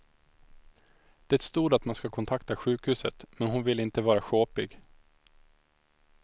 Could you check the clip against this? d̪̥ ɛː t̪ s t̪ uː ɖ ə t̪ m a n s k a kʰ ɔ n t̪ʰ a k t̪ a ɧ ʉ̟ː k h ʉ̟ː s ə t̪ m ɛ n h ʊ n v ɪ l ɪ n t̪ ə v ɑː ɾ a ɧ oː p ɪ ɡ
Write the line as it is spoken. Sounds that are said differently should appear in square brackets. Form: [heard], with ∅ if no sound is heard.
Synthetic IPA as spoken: d̪̥ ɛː t̪ s t̪ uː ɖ [a] t̪ m a n s k a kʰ ɔ n t̪ʰ a k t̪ a ɧ ʉ̟ː k h ʉ̟ː s ə t̪ m ɛ n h ʊ n v ɪ l ɪ n t̪ ə v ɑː ɾ a ɧ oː p ɪ ɡ

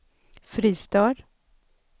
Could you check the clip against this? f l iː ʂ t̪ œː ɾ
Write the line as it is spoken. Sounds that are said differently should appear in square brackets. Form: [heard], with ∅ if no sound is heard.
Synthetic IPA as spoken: f [ɾ] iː [s] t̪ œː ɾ

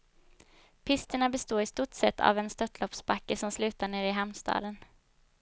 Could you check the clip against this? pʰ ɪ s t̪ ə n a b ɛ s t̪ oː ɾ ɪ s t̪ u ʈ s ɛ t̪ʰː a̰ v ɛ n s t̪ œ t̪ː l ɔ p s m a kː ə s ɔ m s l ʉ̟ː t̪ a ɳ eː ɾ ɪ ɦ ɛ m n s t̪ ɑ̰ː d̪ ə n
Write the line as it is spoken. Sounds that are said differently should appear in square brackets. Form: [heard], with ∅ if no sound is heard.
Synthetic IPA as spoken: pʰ ɪ s t̪ ə [ɳ] a b ɛ s t̪ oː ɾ ɪ s t̪ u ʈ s ɛ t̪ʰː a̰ v ɛ n s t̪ œ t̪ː l ɔ p s [b] a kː ə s ɔ m s l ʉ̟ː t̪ a ɳ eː ɾ ɪ ɦ ɛ m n s t̪ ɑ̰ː d̪ ə n

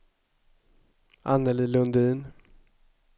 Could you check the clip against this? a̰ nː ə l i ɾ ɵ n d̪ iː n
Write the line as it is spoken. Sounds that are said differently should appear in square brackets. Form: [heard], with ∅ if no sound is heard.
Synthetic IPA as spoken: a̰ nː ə l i [l] ɵ n d̪ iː n

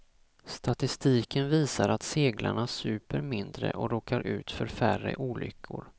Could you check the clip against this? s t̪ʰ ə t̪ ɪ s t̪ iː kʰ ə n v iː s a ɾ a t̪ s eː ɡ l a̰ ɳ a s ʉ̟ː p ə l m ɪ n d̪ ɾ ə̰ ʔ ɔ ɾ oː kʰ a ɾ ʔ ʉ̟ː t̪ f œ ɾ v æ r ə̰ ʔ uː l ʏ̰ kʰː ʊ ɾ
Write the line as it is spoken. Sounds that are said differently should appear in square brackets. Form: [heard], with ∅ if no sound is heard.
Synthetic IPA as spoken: s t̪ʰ [a] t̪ ɪ s t̪ iː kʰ ə n v iː s a ɾ a t̪ s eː ɡ l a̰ ɳ a s ʉ̟ː p ə [ɾ] m ɪ n d̪ ɾ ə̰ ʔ ɔ ɾ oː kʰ a ɾ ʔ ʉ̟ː t̪ f œ ɾ [f] æ r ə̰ ʔ uː l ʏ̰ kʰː ʊ ɾ

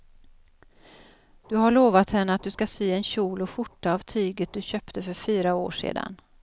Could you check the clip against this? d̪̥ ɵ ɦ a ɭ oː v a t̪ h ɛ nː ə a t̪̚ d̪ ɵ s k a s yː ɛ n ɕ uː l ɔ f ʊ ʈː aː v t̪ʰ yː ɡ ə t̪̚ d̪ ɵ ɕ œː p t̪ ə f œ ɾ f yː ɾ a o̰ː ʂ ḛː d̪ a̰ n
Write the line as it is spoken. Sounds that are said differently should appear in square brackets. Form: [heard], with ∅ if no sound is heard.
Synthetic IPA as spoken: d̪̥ ɵ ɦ a ɭ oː v a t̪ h ɛ nː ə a t̪̚ d̪ ɵ s k a s yː ɛ n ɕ uː l ɔ f ʊ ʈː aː v t̪ʰ yː ɡ ə t̪̚ d̪ ɵ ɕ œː p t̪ ə f œ ɾ f yː ɾ a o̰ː ʂ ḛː d̪ a̰ n

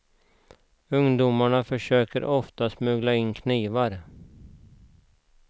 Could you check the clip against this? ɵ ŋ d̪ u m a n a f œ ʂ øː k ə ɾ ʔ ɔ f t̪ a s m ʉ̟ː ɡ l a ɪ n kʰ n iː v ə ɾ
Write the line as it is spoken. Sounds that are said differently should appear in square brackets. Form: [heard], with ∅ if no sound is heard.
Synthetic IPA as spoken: ɵ ŋ d̪ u m a [ɳ] a f œ ʂ øː k ə ɾ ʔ ɔ f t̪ a s m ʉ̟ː ɡ l a ɪ n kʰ n iː v [a] ɾ

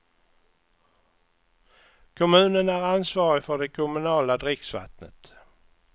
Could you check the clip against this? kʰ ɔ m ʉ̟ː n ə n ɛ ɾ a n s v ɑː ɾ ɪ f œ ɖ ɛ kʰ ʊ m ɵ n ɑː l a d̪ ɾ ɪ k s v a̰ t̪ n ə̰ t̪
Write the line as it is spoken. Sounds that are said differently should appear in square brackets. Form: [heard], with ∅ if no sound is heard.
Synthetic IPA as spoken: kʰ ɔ m ʉ̟ː n ə n [æ] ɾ a n s v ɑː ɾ ɪ f œ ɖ ɛ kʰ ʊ m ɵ n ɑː l a d̪ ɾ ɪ k s v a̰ t̪ n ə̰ t̪

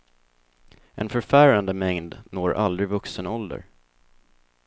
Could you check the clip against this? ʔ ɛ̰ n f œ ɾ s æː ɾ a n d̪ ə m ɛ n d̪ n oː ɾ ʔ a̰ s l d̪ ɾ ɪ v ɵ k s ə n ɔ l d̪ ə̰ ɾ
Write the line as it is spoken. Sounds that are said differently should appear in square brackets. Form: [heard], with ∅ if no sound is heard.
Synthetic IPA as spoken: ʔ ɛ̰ n f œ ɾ [f] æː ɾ a n d̪ ə m ɛ [ŋ] d̪ n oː ɾ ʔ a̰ [∅] l d̪ ɾ ɪ v ɵ k s ə n ɔ l d̪ ə̰ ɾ

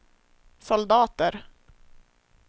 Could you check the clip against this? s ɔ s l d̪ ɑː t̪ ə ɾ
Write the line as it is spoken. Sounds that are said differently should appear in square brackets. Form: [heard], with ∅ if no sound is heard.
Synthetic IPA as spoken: s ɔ [∅] l d̪ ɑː t̪ ə ɾ

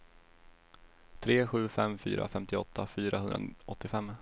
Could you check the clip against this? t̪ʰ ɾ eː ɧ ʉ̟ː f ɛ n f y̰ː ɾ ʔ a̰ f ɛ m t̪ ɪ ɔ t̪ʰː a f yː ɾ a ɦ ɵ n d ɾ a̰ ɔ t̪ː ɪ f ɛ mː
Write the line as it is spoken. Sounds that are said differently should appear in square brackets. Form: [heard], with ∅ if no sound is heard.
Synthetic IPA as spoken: t̪ʰ ɾ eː ɧ ʉ̟ː f ɛ [m] f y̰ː ɾ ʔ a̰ f ɛ m t̪ ɪ ɔ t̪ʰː a f yː ɾ a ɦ ɵ n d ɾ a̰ ɔ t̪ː ɪ f ɛ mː

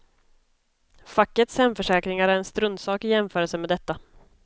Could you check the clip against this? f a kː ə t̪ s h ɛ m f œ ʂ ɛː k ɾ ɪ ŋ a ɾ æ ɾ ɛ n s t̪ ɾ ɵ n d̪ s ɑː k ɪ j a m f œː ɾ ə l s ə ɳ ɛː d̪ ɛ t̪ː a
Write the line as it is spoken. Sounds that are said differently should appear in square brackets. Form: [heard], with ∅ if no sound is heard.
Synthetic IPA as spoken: f a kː ə t̪ s h ɛ m f œ ʂ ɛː k ɾ ɪ ŋ a ɾ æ ɾ ɛ n s t̪ ɾ ɵ n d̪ s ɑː k ɪ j [ɛ] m f œː ɾ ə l s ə [m] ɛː d̪ ɛ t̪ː a

